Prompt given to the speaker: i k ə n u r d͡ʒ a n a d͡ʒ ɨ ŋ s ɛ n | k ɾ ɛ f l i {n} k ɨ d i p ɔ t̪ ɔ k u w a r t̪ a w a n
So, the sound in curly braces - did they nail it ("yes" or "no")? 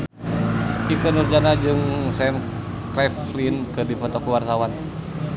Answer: yes